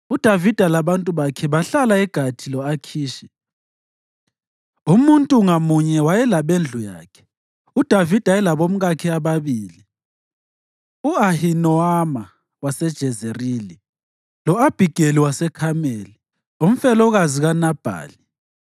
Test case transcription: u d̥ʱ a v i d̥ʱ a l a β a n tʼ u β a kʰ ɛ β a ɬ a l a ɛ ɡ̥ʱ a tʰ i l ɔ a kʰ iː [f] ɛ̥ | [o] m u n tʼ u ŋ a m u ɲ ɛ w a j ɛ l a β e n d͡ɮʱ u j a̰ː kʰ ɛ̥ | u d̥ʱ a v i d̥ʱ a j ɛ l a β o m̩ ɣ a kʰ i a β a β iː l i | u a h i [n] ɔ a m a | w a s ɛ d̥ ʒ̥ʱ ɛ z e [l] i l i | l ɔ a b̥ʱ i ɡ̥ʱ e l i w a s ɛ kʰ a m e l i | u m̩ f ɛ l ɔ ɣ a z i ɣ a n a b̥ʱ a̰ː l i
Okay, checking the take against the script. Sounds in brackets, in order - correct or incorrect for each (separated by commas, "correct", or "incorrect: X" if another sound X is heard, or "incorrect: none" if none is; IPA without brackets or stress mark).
incorrect: ʃ, incorrect: u, correct, incorrect: r